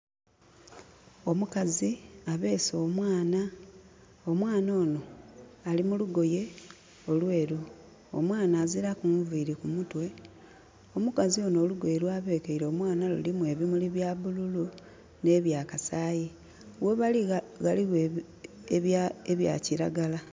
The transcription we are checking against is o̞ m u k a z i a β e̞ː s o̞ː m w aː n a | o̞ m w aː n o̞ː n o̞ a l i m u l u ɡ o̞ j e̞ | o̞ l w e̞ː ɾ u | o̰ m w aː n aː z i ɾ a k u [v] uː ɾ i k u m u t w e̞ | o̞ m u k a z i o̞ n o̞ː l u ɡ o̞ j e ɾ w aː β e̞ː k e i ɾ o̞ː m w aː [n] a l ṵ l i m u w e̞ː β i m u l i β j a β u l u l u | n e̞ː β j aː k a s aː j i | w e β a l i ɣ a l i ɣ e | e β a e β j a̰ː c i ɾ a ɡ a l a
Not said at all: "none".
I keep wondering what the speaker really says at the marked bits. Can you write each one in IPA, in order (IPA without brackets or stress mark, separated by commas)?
v, n